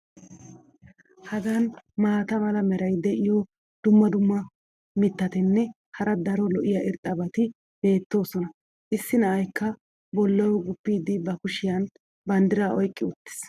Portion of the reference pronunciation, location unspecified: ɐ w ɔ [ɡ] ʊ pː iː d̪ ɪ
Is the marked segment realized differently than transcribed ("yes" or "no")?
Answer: no